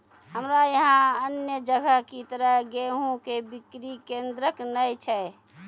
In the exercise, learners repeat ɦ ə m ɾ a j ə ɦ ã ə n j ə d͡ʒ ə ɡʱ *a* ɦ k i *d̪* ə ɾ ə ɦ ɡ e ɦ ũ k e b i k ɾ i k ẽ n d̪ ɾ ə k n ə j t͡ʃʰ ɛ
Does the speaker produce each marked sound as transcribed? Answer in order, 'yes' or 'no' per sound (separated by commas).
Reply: no, no